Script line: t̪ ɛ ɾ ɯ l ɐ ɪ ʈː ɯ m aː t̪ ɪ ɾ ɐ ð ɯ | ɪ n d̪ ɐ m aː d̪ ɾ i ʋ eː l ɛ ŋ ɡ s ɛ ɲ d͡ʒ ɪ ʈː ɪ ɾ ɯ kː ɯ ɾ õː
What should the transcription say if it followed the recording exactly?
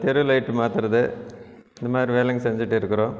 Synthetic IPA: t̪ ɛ ɾ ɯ l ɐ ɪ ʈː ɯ m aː t̪ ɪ ɾ ɐ ð ɯ | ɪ n d̪ ɐ m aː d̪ ɾ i ʋ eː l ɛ ŋ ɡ s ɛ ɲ d͡ʒ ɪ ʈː ɪ ɾ ɯ kː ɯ ɾ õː